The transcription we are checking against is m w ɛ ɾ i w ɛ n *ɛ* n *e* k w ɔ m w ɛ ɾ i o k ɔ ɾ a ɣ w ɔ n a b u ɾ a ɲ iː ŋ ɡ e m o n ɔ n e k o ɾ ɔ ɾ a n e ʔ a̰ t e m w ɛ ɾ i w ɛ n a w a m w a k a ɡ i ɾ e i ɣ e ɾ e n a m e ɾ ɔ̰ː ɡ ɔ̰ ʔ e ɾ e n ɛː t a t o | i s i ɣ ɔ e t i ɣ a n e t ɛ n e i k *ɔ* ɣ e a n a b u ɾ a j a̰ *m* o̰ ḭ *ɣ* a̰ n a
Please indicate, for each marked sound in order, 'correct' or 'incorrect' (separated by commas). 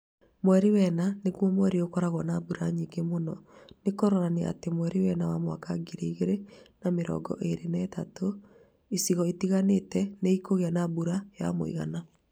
incorrect, correct, incorrect, correct, correct